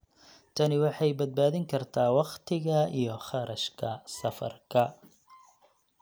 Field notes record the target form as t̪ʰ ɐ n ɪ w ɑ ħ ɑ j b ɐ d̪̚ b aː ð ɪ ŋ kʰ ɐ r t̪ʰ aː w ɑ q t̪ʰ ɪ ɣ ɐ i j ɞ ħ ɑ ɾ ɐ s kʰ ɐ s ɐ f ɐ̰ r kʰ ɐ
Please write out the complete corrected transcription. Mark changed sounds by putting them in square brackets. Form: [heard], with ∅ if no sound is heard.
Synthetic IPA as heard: t̪ʰ ɐ n ɪ w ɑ ħ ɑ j b ɐ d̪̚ b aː ð ɪ ŋ kʰ ɐ r t̪ʰ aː w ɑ q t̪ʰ ɪ ɣ ɐ i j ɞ [χ] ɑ ɾ ɐ [ʃ] kʰ ɐ s ɐ f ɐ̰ r kʰ ɐ

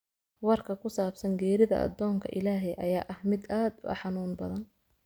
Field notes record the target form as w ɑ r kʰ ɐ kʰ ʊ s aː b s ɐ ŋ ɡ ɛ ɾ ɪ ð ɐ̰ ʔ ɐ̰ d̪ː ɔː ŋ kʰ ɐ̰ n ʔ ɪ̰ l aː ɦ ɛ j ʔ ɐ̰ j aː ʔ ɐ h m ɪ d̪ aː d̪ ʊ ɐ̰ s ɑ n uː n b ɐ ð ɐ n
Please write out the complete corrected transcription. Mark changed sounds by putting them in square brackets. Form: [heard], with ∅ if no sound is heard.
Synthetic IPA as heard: w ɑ r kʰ ɐ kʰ ʊ s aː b s ɐ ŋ ɡ [ɛː] ɾ ɪ ð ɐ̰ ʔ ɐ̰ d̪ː ɔː ŋ kʰ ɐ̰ [∅] ʔ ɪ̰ l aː ɦ ɛ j ʔ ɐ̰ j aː ʔ ɐ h m ɪ d̪ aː d̪ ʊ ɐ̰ [ħ] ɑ n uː n b ɐ ð ɐ n

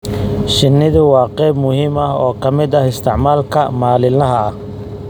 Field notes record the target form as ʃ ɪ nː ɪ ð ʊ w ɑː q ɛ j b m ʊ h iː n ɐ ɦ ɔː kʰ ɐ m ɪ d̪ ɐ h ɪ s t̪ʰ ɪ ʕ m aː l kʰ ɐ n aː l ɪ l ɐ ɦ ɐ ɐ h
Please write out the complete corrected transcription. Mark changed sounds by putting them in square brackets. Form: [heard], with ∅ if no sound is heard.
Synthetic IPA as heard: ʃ ɪ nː ɪ ð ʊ w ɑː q ɛ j b m ʊ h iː [m] ɐ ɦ ɔː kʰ ɐ m ɪ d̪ ɐ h ɪ s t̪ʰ ɪ ʕ m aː l kʰ ɐ [m] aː l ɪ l ɐ ɦ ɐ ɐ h

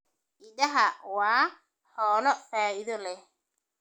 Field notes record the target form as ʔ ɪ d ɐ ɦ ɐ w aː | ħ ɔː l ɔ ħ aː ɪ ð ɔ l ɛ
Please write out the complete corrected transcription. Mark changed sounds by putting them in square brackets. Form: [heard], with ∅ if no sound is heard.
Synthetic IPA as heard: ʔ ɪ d ɐ ɦ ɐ w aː | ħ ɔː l ɔ [f] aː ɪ ð ɔ l ɛ

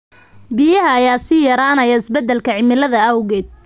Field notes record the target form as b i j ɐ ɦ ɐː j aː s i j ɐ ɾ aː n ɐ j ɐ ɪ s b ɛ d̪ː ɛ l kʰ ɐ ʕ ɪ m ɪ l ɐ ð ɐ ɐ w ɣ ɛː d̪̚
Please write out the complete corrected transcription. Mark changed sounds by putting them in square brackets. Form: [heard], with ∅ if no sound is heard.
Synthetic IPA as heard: b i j ɐ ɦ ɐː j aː s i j ɐ ɾ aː n ɐ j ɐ ɪ s b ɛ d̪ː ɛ l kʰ ɐ ʕ ɪ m ɪ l ɐ ð ɐ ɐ w ɣ ɛː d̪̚

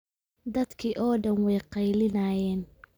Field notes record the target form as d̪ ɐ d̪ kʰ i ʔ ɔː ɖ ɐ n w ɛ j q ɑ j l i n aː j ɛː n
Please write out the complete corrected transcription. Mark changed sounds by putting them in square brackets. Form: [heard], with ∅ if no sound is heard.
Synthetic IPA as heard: d̪ ɐ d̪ kʰ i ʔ ɔː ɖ ɐ n w ɛ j q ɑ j l [ɪ] n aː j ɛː n

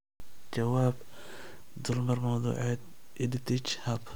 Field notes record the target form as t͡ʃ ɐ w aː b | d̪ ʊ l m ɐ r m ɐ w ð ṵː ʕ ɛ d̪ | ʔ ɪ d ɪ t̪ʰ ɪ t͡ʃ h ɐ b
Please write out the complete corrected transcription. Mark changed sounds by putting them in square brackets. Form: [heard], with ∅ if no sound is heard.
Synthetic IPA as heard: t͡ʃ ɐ w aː b | d̪ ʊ l m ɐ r m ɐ w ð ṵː ʕ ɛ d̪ | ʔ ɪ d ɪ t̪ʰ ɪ t͡ʃ h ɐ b

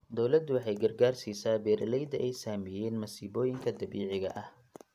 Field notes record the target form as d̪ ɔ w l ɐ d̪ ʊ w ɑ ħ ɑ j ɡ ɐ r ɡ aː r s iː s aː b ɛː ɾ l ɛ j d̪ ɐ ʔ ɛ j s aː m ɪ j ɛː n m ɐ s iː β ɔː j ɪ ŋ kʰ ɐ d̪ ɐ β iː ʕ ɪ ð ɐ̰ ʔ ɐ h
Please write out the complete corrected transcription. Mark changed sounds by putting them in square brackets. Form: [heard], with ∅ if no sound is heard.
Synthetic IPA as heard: d̪ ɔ w l ɐ d̪ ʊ w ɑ ħ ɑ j ɡ ɐ r ɡ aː r s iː s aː b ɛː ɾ l ɛ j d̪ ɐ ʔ ɛ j s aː m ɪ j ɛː n m ɐ s iː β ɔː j ɪ ŋ kʰ ɐ d̪ ɐ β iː ʕ ɪ [ɣ] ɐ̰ ʔ ɐ h

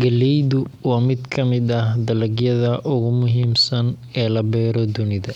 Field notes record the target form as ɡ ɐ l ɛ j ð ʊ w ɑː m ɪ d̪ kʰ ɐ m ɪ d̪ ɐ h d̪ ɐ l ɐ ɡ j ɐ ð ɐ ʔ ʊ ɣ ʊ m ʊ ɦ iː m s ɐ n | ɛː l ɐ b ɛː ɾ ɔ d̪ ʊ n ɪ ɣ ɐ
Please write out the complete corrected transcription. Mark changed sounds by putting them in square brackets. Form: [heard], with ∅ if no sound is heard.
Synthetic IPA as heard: ɡ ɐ l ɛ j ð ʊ w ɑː m ɪ d̪ kʰ ɐ m ɪ d̪ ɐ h d̪ ɐ l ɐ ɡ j ɐ ð ɐ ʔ ʊ ɣ ʊ m ʊ ɦ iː m s ɐ n | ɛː l ɐ b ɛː ɾ ɔ d̪ ʊ n ɪ [ð] ɐ

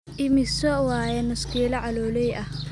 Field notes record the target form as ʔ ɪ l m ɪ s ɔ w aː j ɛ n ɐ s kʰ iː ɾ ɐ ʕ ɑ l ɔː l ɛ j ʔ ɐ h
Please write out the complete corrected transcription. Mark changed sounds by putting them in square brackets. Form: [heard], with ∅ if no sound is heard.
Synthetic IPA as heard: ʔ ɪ [∅] m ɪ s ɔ w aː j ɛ n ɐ s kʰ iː [l] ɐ ʕ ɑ l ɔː l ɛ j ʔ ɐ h

